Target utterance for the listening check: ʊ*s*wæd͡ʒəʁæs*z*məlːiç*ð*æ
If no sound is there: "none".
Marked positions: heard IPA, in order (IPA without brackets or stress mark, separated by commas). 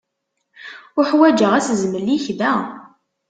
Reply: ħ, z, ð